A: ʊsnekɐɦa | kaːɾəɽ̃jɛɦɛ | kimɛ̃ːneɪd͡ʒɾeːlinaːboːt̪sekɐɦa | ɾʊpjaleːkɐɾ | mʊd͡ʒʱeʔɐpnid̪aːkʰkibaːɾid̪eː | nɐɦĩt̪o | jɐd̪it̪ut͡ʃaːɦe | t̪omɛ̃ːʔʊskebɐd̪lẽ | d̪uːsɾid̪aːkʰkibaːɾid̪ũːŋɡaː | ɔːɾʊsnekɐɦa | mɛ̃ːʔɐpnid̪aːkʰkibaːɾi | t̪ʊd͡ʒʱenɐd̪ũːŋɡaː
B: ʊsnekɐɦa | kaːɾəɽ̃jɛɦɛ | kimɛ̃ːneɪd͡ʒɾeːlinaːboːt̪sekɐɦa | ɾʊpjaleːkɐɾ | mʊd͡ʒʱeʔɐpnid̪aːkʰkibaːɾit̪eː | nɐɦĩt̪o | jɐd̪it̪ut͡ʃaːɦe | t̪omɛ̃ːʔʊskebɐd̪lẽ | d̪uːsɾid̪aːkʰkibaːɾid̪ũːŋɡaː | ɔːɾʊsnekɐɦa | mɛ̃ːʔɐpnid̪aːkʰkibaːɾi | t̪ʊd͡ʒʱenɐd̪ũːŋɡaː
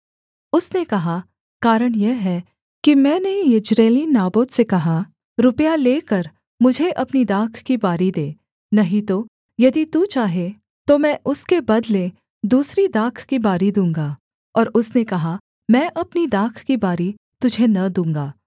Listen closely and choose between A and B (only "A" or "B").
A